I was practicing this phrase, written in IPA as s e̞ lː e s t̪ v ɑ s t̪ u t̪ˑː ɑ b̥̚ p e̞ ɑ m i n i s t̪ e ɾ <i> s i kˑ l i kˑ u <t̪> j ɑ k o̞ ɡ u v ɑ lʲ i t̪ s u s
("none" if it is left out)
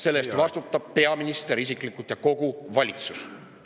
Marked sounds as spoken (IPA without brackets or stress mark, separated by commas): i, t̪